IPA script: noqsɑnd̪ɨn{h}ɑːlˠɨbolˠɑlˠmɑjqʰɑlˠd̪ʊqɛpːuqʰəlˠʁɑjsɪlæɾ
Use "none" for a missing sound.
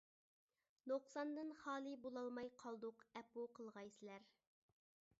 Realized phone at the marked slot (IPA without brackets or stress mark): χ